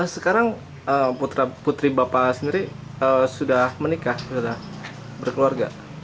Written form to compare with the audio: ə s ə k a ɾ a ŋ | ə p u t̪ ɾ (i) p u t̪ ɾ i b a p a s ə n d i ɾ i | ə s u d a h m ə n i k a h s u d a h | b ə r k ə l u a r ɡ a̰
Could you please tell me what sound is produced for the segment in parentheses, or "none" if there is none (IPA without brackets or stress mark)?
a